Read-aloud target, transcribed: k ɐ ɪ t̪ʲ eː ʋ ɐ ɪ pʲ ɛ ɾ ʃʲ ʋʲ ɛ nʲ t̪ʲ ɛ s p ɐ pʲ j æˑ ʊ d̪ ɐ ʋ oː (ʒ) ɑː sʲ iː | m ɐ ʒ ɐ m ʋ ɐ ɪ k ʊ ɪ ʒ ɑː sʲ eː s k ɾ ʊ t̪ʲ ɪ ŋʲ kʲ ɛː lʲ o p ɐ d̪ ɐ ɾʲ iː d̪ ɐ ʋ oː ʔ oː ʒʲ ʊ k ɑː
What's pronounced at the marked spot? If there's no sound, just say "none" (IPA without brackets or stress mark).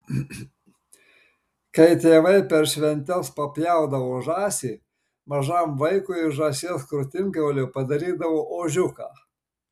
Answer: ʒ